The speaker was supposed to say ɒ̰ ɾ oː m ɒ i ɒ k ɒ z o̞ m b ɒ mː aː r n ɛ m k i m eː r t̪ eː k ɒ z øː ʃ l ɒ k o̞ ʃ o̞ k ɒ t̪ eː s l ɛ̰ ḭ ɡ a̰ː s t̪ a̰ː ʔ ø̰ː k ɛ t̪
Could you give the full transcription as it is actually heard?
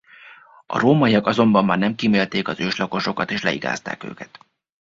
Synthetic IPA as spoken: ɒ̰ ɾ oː m ɒ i ɒ k ɒ z o̞ m b ɒ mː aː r n ɛ m k i m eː l t̪ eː k ɒ z øː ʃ l ɒ k o̞ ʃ o̞ k ɒ t̪ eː ʃ l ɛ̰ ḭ ɡ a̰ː s t̪ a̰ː k ø̰ː k ɛ t̪